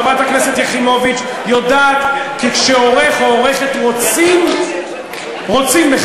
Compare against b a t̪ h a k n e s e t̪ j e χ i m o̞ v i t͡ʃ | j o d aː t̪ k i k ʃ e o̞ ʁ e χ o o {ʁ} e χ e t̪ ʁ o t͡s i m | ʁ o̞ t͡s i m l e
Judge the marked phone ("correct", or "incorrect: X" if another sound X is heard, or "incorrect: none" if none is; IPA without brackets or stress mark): correct